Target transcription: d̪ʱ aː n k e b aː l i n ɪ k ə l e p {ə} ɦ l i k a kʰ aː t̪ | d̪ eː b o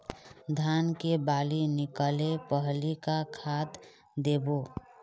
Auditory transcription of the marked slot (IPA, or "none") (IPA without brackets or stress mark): ə